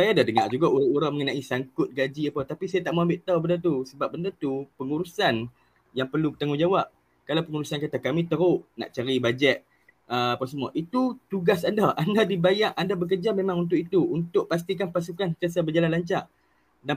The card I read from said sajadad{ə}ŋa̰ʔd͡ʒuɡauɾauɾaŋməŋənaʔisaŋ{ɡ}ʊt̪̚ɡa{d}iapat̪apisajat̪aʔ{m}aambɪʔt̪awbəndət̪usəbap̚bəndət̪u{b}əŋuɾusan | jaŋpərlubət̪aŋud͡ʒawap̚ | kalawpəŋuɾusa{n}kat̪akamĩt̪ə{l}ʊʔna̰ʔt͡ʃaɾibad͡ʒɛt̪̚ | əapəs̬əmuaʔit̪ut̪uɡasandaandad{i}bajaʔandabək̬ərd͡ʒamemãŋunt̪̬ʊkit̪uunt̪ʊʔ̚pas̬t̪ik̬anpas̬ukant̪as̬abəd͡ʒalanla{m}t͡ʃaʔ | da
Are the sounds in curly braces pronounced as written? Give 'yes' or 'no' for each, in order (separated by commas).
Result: yes, no, no, yes, no, yes, no, yes, no